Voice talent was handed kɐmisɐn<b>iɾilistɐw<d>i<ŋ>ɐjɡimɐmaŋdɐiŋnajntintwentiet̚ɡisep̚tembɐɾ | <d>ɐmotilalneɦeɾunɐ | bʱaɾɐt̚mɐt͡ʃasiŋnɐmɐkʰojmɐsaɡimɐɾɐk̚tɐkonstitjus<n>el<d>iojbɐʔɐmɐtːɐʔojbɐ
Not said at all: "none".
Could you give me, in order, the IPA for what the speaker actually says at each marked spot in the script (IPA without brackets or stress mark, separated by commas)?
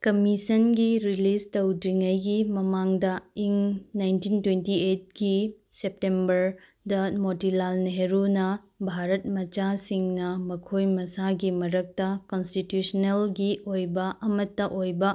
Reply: ɡ, d, ŋ, d, n, ɡ